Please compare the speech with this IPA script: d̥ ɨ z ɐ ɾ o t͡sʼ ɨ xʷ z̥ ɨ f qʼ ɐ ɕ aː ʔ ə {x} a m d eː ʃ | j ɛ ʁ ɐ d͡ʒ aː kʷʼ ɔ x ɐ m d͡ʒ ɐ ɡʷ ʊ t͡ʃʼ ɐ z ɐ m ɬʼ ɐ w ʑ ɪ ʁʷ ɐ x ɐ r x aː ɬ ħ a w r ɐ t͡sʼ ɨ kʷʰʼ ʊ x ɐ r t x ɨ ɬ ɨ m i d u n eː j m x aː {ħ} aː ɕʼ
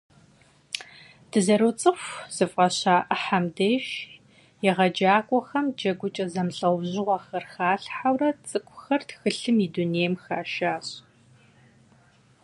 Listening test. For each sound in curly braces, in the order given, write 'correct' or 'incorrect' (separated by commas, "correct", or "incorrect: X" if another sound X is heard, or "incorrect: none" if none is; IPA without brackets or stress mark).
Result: incorrect: ħ, incorrect: ʃ